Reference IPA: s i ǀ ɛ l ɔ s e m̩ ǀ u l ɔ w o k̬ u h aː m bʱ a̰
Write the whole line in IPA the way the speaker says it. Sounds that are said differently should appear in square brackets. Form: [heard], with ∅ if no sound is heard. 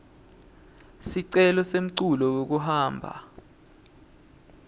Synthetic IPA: s i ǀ ɛ l ɔ s e m̩ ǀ u l ɔ w o k̬ u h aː m bʱ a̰